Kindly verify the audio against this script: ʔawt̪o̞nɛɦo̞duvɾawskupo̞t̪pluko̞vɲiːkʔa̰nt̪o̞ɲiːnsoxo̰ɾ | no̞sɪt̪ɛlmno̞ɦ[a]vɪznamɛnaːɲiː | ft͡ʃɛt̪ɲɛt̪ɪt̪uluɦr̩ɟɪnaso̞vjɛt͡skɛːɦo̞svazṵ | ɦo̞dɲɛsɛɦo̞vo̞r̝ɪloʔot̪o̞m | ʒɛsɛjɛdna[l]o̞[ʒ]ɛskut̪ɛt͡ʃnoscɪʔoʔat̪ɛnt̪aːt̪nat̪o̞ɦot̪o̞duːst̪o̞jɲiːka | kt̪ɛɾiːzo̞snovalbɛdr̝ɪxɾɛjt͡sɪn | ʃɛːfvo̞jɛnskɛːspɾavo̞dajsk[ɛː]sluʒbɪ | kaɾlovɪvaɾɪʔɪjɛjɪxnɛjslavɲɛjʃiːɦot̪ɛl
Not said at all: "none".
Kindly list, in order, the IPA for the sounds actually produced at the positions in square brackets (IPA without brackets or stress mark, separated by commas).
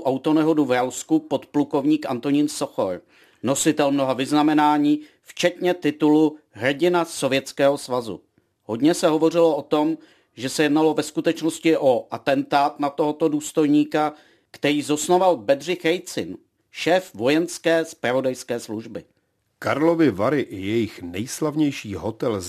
a, l, v, ɛː